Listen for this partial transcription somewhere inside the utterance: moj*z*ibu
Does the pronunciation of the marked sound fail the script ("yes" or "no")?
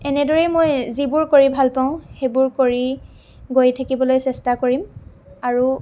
no